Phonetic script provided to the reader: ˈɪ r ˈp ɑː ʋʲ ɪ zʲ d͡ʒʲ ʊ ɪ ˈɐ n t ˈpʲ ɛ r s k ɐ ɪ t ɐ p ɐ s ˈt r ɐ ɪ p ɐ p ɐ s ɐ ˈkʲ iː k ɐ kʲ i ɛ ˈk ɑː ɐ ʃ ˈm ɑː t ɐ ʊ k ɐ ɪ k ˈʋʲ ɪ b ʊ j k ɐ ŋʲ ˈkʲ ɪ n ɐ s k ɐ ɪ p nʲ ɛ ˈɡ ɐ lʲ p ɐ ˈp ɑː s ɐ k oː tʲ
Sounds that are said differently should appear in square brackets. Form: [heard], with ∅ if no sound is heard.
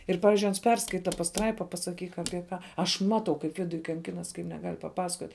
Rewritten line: ˈɪ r ˈp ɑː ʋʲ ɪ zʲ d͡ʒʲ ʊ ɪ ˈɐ n [s] ˈpʲ ɛ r s k ɐ ɪ t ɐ p ɐ s ˈt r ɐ ɪ p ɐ p ɐ s ɐ ˈkʲ iː k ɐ [pʲ] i ɛ ˈk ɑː ɐ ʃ ˈm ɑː t ɐ ʊ k ɐ ɪ [p] ˈʋʲ ɪ [d] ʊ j k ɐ ŋʲ ˈkʲ ɪ n ɐ s k ɐ ɪ p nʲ ɛ ˈɡ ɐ lʲ p ɐ ˈp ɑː s ɐ k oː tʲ